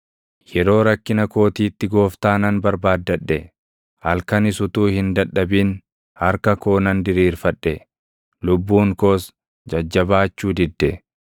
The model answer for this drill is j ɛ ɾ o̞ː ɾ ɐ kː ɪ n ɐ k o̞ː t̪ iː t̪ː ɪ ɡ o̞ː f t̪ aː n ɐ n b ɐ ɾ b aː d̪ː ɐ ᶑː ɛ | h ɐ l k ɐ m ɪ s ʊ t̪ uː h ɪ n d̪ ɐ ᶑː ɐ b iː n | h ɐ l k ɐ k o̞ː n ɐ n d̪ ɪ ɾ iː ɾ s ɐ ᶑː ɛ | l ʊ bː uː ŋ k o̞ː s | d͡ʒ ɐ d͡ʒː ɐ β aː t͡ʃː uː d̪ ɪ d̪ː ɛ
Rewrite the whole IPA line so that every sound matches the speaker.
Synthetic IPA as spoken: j ɛ ɾ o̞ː ɾ ɐ kː ɪ n ɐ k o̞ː t̪ iː t̪ː ɪ ɡ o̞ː f t̪ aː n ɐ n b ɐ ɾ b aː d̪ː ɐ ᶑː ɛ | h ɐ l k ɐ n ɪ s ʊ t̪ uː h ɪ n d̪ ɐ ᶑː ɐ b iː n | h ɐ ɾ k ɐ k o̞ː n ɐ n d̪ ɪ ɾ iː ɾ f ɐ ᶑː ɛ | l ʊ bː uː ŋ k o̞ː s | d͡ʒ ɐ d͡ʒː ɐ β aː t͡ʃː uː d̪ ɪ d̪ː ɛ